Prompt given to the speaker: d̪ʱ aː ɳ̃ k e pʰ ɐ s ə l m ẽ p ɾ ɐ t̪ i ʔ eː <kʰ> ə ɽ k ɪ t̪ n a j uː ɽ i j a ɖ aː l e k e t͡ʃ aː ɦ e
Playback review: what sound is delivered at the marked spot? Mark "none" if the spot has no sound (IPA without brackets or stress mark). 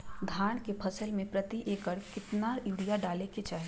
k